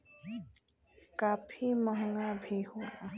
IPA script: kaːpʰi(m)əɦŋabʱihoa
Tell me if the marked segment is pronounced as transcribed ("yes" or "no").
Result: yes